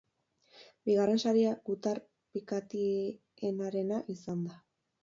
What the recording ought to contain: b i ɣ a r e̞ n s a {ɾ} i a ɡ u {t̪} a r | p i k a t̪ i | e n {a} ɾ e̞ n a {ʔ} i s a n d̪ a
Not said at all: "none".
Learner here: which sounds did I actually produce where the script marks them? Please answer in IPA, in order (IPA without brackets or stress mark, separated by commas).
ɾ, t̪, a, ʔ